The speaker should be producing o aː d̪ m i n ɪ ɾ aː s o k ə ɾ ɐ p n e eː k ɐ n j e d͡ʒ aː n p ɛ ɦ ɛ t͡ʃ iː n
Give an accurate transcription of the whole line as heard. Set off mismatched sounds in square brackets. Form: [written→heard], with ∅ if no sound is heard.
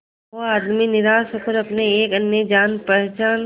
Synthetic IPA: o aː d̪ m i n ɪ ɾ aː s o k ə ɾ ɐ p n e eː k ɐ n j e d͡ʒ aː n p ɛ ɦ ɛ t͡ʃ [iː→aː] n